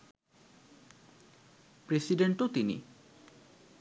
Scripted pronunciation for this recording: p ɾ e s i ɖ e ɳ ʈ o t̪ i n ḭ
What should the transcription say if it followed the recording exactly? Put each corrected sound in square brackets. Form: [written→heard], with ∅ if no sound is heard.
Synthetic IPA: p ɾ e s i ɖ e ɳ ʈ o t̪ i n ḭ